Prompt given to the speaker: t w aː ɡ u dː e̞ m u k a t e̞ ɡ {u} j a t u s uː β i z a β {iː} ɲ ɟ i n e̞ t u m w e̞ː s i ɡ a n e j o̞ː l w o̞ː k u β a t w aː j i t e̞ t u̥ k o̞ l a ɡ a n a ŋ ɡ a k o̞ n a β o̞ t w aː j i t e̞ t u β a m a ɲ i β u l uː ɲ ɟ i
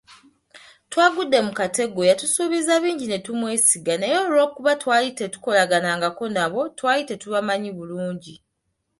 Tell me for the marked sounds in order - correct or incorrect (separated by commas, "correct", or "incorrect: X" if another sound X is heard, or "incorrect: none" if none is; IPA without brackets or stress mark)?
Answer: incorrect: o, correct